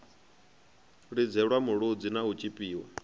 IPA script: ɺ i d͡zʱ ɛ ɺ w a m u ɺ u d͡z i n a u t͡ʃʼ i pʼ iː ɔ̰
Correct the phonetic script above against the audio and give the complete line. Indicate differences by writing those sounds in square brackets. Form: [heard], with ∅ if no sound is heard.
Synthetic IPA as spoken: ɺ i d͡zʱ ɛ ɺ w a m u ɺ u d͡z i n a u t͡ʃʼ i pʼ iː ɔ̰